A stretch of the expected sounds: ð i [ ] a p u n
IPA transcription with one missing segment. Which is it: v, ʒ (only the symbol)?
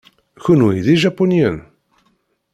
ʒ